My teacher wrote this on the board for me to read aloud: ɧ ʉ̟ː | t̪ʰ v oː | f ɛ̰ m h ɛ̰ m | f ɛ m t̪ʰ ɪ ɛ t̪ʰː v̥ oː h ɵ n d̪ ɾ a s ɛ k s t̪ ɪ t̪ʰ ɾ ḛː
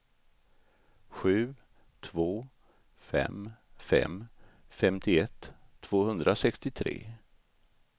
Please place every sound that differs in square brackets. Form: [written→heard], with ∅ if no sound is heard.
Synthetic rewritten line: ɧ ʉ̟ː | t̪ʰ v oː | f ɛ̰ m [h→f] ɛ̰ m | f ɛ m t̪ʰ ɪ ɛ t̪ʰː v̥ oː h ɵ n d̪ ɾ a s ɛ k s t̪ ɪ t̪ʰ ɾ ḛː